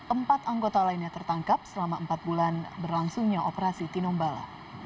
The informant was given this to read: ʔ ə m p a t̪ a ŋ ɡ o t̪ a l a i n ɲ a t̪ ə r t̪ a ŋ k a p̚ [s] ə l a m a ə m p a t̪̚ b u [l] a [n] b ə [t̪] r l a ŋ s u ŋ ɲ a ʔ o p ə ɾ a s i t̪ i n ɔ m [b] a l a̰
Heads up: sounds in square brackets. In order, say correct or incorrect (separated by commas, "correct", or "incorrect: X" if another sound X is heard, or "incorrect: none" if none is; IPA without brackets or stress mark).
correct, correct, correct, incorrect: none, correct